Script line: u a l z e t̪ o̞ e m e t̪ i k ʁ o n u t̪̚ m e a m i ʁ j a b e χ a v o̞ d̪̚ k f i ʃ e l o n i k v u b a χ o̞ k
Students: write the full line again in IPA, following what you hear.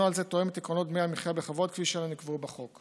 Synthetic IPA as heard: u a l z e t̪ o̞ e m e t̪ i k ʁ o n o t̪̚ m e a m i χ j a b e χ a v o̞ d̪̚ k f i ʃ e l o n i k v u b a χ o̞ k